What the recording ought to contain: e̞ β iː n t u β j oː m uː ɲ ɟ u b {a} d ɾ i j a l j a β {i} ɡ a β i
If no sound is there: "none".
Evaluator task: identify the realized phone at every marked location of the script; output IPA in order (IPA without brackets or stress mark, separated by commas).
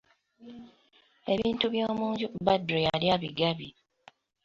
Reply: a, i